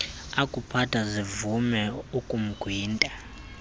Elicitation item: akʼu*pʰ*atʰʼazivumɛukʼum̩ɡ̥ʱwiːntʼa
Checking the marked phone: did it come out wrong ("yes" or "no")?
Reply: no